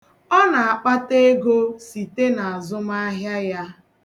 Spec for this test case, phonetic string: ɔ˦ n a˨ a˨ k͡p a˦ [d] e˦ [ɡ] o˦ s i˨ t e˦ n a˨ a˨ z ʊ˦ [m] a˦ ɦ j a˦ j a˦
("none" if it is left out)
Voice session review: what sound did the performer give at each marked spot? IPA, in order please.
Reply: t, ɡ, m

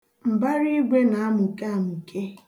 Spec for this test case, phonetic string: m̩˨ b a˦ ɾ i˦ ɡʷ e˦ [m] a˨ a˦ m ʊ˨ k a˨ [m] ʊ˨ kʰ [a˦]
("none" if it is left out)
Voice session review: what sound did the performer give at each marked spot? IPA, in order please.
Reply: n, m, e˦

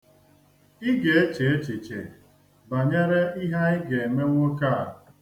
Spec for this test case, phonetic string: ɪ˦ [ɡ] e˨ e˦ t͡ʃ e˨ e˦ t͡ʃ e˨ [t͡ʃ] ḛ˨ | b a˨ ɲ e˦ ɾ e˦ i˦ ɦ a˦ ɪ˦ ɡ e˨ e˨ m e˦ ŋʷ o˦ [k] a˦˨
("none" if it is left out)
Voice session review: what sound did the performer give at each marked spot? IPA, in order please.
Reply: ɡ, t͡ʃ, k

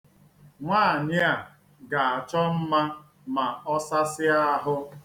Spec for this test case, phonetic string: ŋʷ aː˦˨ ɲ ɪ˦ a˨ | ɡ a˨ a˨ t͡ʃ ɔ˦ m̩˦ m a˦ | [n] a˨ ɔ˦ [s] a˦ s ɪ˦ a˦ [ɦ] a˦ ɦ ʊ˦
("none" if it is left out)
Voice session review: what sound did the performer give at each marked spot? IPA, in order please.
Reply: m, s, none

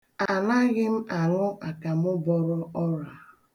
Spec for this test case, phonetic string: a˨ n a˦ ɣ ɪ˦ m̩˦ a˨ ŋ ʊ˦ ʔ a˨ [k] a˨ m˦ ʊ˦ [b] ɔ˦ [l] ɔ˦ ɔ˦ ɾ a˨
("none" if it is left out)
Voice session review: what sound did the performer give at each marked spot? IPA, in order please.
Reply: k, b, ɾ

